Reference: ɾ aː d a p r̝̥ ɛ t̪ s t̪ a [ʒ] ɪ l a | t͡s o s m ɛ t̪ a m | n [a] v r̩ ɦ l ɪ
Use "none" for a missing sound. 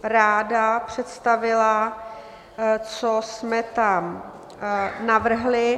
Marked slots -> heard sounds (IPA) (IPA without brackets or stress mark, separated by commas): v, a